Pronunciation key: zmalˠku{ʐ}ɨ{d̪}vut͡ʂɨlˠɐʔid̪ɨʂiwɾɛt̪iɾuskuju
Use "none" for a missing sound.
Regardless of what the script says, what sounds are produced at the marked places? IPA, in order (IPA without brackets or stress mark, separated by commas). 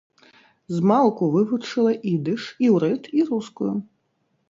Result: v, none